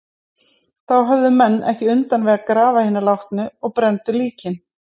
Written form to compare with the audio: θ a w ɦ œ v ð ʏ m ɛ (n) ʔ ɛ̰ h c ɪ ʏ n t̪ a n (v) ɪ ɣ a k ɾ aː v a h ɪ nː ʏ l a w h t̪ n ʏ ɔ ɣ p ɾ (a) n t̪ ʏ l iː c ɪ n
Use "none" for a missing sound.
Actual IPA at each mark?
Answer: nː, v, ɛ

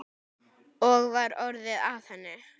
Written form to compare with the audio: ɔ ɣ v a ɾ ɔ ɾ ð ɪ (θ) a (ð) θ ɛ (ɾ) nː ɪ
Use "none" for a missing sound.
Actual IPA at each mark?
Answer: ð, v, none

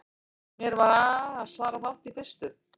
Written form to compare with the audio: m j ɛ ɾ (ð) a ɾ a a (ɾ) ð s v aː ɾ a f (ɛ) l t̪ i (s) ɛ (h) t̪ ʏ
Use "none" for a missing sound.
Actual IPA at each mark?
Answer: v, none, a, θ, s

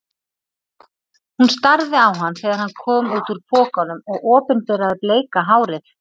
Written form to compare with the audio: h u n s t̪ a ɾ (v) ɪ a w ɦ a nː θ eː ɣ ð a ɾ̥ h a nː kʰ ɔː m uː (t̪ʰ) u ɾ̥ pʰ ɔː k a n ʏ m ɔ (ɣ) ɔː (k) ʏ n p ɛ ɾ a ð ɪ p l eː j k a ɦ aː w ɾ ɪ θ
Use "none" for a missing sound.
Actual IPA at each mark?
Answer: ð, t̪, ɣ, p

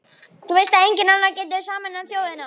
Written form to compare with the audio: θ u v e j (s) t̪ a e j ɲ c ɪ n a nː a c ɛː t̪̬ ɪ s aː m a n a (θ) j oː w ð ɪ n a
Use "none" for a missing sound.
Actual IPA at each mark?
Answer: s, θ

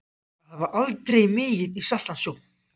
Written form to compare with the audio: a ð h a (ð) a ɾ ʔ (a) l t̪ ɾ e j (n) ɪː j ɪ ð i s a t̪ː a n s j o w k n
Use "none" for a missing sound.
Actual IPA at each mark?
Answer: v, a, m

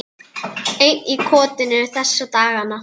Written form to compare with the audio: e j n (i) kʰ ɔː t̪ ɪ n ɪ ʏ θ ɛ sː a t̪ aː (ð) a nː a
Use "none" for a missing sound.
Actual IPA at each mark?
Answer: i, ɣ

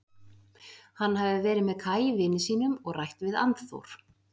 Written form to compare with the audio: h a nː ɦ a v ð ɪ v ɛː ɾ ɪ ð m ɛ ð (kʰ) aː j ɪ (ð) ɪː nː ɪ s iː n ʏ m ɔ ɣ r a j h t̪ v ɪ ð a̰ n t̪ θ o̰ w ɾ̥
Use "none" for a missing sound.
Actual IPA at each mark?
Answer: kʰ, v

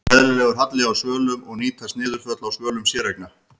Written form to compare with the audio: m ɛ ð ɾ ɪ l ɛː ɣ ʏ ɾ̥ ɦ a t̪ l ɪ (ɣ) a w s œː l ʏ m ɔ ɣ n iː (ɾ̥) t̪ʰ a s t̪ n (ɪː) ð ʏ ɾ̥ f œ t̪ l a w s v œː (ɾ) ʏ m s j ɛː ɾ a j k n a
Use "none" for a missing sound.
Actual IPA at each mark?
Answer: ɣ, none, ɪː, l

